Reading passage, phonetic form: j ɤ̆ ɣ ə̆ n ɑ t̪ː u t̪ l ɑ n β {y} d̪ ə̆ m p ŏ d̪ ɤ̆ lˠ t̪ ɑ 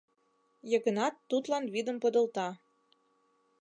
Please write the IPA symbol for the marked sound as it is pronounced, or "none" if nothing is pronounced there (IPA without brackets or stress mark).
i